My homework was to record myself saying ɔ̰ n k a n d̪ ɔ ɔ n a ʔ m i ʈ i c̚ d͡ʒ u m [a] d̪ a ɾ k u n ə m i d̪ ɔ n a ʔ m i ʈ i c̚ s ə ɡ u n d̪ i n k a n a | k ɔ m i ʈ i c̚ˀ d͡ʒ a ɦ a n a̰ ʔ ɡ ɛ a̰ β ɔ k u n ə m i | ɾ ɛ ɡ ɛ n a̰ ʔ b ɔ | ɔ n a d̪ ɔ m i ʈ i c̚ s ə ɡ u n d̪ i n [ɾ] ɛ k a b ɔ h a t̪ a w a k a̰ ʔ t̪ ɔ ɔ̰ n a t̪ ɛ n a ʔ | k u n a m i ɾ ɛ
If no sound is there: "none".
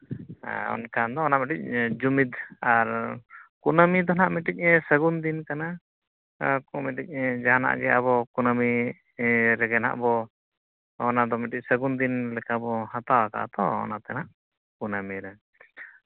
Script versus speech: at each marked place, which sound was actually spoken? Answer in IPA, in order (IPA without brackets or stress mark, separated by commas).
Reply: i, l